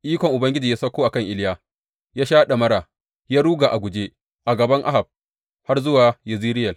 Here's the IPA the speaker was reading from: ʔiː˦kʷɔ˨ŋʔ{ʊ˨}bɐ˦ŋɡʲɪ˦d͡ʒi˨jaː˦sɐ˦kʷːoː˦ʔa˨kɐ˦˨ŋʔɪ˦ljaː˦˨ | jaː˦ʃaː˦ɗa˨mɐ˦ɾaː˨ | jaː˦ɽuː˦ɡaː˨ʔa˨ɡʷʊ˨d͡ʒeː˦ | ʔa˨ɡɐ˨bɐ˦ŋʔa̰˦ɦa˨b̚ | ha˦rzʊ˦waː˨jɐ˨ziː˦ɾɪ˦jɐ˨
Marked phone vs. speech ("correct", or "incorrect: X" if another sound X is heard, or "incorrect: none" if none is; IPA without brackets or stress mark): correct